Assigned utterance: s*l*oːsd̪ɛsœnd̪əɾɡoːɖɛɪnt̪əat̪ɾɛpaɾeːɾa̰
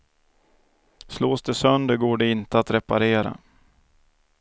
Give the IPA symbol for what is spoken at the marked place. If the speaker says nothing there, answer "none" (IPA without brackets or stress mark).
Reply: l